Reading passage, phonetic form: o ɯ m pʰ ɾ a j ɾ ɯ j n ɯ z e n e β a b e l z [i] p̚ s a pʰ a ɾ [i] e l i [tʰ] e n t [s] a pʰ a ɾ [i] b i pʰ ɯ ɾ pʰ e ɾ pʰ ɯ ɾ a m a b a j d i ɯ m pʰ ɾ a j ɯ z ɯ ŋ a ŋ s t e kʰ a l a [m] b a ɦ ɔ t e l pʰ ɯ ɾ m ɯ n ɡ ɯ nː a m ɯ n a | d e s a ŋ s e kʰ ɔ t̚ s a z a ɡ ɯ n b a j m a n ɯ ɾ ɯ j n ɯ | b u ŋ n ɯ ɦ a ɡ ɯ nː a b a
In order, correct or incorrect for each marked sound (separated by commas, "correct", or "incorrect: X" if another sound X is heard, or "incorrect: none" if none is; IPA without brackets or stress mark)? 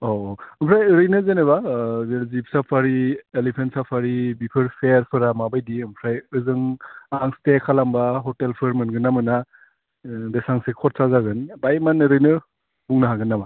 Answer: correct, correct, incorrect: pʰ, correct, correct, correct